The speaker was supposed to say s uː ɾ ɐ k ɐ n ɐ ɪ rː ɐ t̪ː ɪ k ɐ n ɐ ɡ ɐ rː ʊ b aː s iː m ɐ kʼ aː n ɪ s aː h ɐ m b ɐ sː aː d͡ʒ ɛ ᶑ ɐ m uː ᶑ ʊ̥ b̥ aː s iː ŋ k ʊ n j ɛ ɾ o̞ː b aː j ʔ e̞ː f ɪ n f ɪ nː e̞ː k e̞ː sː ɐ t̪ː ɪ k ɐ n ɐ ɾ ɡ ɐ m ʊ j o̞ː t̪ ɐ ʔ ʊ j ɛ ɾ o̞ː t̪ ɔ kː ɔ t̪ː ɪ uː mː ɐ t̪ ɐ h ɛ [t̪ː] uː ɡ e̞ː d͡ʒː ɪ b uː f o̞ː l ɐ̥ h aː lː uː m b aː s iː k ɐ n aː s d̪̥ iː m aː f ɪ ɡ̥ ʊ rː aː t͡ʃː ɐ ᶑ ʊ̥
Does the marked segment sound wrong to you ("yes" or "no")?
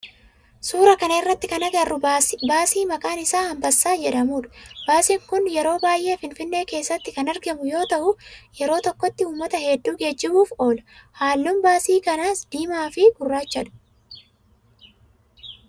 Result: yes